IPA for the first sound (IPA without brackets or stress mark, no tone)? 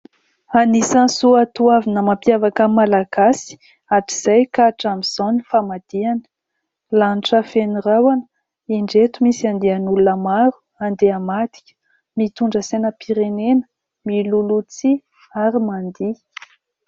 a